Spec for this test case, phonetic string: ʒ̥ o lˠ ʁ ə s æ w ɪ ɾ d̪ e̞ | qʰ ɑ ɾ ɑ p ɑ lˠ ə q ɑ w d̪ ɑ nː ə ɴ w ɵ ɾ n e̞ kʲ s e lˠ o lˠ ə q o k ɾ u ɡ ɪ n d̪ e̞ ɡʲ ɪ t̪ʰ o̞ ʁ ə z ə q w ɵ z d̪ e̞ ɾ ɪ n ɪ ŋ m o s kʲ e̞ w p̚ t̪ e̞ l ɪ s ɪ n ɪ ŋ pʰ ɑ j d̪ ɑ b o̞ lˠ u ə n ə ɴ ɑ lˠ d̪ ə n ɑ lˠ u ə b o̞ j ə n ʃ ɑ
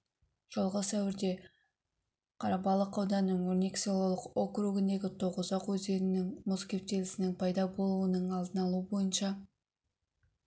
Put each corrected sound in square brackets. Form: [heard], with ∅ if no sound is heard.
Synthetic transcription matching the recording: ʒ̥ o lˠ ʁ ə s æ w ɪ ɾ d̪ e̞ | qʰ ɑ ɾ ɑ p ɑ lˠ ə q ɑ w d̪ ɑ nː ə ɴ w ɵ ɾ n e̞ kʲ s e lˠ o lˠ ə q o k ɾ u ɡ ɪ n d̪ e̞ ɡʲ ɪ t̪ʰ o̞ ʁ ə z [ɑ] q w ɵ z d̪ e̞ ɾ ɪ n ɪ ŋ m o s kʲ e̞ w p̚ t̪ e̞ l ɪ s ɪ n ɪ ŋ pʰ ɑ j d̪ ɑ b o̞ lˠ u ə n ə ɴ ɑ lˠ d̪ ə n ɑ lˠ u ə b o̞ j ə n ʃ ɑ